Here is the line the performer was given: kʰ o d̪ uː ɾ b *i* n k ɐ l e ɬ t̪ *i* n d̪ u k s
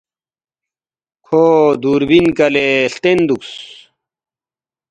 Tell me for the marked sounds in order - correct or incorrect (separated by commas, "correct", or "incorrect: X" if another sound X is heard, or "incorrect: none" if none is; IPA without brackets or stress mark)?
correct, incorrect: e